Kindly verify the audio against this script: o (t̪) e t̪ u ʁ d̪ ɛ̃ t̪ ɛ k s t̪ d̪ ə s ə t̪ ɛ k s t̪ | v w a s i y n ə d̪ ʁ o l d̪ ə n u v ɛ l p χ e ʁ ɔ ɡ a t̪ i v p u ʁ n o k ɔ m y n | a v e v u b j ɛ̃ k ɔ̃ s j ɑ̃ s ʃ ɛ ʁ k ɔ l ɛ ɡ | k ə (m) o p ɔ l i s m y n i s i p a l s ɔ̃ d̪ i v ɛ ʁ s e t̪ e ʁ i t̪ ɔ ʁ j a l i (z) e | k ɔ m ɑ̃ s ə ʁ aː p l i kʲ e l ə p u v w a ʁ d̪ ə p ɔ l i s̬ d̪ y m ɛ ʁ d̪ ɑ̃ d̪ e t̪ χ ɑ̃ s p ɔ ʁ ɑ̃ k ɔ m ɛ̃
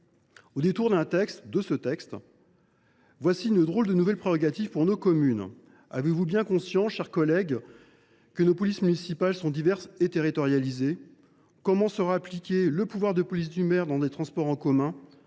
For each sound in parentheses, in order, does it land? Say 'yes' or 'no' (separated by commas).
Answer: no, no, yes